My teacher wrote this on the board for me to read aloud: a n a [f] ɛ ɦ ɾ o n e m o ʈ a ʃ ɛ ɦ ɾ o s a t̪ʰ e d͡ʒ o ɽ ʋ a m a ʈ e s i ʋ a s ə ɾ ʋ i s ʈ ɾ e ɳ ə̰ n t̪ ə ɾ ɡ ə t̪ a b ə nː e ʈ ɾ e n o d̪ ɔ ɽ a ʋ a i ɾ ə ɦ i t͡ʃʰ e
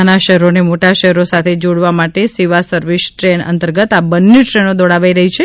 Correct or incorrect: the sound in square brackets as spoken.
incorrect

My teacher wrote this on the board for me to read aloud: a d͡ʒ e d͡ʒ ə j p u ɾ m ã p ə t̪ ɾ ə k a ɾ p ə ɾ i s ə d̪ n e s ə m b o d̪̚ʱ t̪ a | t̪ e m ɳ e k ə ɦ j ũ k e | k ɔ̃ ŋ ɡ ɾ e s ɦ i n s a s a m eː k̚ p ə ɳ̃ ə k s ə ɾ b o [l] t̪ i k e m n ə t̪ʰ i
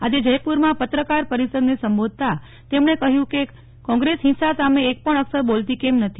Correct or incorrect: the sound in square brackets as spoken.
correct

